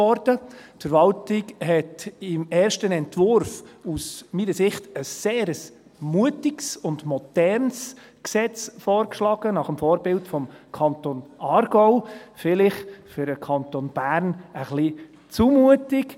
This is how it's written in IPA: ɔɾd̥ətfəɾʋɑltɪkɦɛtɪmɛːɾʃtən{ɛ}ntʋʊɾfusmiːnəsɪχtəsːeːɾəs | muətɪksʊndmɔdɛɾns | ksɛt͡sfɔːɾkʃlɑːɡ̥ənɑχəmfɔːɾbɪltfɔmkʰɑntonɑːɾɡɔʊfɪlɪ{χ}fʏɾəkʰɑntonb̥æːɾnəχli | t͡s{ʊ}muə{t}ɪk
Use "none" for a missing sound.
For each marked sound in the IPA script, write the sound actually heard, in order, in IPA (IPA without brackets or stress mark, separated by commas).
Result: ɛ, χ, u, t